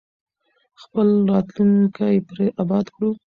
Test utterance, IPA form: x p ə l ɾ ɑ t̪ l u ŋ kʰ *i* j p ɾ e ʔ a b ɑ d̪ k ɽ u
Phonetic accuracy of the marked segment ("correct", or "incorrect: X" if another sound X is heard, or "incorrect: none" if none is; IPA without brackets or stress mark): incorrect: a